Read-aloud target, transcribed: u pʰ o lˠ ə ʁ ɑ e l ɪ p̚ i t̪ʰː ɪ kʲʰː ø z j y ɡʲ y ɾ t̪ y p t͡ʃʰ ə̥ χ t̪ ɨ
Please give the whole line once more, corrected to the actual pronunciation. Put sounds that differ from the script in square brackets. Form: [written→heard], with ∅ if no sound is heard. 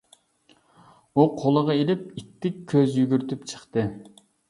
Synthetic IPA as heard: u [pʰ→qʰ] o lˠ ə ʁ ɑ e l ɪ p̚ i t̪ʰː ɪ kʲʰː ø z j y ɡʲ y ɾ t̪ y p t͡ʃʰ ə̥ χ t̪ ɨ